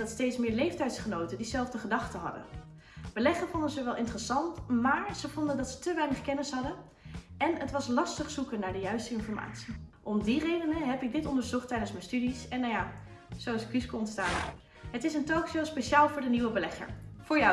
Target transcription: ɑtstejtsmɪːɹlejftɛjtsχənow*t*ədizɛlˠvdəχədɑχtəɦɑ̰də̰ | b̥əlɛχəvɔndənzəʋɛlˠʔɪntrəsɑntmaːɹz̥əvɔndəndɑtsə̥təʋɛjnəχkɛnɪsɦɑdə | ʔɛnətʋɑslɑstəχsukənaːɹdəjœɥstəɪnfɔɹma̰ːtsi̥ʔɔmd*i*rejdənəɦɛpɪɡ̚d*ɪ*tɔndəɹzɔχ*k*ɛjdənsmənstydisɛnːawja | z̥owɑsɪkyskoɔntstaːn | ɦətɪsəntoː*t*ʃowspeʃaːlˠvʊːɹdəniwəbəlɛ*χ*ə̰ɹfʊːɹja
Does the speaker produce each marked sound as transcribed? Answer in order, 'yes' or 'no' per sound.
yes, yes, yes, no, no, yes

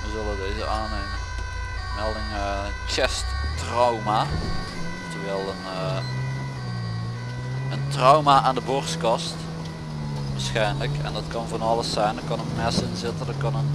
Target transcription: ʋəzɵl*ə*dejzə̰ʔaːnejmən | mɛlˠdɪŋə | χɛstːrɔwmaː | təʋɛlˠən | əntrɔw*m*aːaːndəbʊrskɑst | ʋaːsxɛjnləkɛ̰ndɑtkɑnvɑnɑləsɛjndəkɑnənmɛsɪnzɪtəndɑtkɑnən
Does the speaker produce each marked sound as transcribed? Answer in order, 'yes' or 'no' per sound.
yes, yes

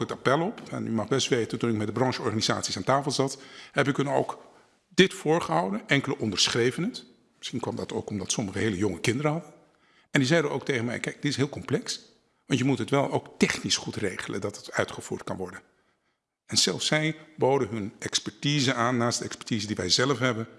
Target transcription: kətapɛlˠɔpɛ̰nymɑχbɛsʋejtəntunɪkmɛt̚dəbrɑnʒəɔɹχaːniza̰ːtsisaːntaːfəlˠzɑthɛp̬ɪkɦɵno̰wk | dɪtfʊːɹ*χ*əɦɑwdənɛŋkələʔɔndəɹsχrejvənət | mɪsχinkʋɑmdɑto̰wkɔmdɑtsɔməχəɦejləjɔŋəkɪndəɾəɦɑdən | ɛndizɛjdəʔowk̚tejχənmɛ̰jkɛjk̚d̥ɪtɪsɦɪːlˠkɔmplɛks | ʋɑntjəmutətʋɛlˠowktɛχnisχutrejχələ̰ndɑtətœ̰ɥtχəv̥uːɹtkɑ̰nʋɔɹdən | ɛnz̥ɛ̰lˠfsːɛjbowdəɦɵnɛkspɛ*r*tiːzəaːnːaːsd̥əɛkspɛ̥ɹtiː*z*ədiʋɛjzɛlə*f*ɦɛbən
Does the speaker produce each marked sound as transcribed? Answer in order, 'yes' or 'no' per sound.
yes, no, yes, yes

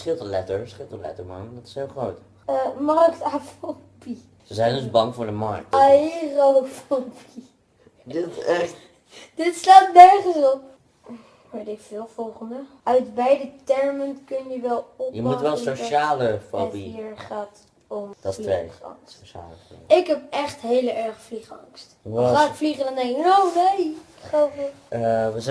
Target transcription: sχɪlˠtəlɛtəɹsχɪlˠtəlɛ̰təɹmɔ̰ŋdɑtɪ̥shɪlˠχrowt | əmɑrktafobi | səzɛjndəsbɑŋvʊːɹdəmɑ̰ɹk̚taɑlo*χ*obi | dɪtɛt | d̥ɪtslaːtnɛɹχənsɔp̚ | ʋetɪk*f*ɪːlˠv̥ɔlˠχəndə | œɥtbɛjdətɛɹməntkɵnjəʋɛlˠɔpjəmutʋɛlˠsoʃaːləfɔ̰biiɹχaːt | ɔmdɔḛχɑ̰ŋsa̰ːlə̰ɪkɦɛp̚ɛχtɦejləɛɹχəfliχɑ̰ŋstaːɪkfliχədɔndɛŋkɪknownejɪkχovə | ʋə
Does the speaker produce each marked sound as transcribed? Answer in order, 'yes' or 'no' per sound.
no, yes

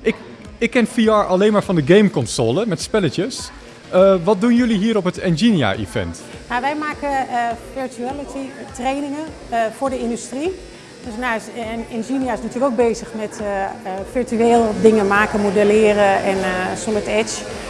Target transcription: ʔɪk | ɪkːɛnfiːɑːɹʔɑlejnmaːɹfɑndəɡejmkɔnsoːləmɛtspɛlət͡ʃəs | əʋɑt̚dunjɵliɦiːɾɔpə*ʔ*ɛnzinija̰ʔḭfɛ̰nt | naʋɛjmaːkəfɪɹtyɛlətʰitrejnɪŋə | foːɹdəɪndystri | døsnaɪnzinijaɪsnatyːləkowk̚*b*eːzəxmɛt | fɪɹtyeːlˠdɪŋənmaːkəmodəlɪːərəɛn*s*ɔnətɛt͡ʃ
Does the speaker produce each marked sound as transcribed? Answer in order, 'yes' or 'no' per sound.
no, yes, yes

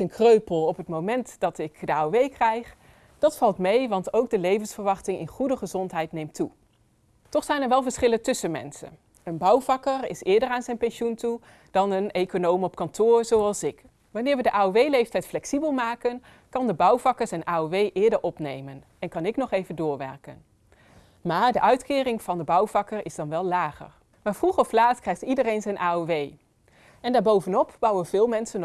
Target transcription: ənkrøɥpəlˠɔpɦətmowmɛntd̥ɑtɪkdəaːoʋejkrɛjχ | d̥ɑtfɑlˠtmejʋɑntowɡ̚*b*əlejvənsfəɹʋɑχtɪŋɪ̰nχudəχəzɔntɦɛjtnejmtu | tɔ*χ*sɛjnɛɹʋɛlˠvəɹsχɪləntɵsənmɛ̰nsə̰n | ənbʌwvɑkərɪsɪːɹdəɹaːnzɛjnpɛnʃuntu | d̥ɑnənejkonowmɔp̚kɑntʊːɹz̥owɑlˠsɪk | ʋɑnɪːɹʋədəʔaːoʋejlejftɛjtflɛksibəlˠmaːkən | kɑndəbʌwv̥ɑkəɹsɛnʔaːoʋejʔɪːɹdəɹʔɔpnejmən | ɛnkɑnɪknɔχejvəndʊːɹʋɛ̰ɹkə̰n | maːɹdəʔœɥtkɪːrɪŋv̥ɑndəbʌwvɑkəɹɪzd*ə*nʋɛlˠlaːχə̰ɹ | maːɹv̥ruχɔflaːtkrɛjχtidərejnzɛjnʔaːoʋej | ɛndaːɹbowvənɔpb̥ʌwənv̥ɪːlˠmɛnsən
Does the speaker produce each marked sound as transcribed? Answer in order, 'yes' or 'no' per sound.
no, yes, no

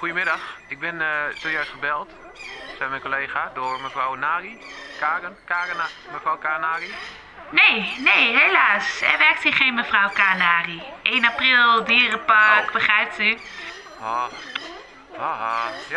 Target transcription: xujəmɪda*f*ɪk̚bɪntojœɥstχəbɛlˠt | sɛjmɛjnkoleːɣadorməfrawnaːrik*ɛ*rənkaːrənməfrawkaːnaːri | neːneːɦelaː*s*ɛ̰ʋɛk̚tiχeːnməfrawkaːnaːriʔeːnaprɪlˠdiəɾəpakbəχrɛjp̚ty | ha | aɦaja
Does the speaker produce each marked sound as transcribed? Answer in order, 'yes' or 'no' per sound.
no, no, yes

